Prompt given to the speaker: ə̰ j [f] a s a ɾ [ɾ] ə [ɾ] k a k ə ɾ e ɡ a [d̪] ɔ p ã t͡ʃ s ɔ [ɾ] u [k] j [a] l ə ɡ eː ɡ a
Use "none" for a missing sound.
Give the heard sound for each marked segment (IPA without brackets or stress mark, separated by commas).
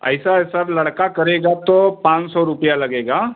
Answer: s, l, ɽ, t̪, ɾ, p, a